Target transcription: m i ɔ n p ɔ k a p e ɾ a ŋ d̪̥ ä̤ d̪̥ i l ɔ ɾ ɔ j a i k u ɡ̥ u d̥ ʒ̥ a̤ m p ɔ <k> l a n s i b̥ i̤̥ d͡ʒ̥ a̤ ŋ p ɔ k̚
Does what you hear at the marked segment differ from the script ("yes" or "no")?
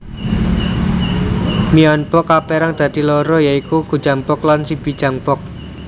no